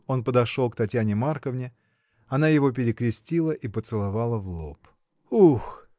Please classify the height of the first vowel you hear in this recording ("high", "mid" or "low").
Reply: mid